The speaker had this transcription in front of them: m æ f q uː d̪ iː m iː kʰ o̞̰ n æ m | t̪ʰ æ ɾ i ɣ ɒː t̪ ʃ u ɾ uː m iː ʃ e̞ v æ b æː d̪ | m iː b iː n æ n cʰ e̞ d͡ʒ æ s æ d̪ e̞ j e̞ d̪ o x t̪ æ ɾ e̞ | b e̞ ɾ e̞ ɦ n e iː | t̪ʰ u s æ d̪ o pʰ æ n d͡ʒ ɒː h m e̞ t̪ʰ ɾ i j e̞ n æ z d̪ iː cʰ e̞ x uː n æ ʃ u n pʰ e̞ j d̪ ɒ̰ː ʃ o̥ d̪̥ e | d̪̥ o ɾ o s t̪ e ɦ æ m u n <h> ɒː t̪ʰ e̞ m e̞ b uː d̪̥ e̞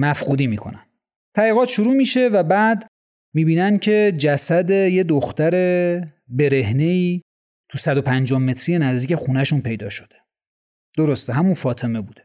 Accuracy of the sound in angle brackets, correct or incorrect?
incorrect